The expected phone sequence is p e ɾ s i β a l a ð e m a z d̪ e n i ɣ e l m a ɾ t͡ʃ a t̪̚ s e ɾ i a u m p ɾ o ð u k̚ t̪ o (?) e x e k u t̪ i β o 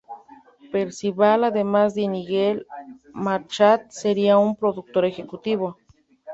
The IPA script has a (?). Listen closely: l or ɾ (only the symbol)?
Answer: ɾ